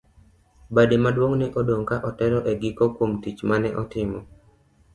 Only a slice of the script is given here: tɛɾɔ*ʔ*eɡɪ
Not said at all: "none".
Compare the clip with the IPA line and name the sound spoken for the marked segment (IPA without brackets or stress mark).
ʔ